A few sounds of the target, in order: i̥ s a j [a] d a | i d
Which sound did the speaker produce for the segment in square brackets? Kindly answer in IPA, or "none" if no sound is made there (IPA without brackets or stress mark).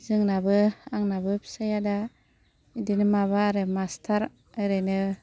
a